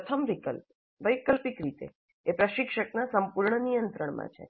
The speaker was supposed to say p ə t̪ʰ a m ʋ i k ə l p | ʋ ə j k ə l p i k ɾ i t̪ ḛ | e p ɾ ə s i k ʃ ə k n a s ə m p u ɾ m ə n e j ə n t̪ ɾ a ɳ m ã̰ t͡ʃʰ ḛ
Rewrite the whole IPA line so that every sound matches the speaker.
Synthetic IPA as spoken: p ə t̪ʰ ə m ʋ i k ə l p | ʋ ə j k ə l p i k ɾ i t̪ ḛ | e p ɾ ə ʃ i k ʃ ə k n a s ə m p u ɾ ɳ ə n i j ə n t̪ ɾ ə ɳ m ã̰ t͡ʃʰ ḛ